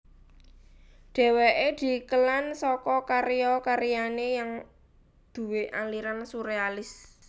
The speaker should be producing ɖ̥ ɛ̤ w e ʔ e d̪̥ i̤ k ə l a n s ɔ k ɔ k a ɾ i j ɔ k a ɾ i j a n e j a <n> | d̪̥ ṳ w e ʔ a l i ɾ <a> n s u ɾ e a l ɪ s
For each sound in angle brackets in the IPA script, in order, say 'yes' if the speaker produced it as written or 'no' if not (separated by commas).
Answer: no, yes